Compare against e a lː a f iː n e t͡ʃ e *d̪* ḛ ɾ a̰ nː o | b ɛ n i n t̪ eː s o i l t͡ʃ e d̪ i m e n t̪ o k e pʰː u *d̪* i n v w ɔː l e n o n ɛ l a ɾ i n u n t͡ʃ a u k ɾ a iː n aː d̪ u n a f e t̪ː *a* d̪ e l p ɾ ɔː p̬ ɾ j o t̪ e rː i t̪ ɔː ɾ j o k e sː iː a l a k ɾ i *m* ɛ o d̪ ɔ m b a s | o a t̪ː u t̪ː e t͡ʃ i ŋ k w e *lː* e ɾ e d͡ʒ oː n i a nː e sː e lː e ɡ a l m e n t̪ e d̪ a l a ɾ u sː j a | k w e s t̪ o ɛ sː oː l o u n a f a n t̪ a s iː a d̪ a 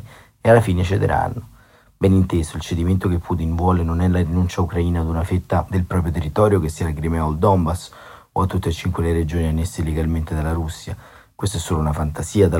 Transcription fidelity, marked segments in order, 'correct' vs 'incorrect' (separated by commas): correct, incorrect, correct, correct, incorrect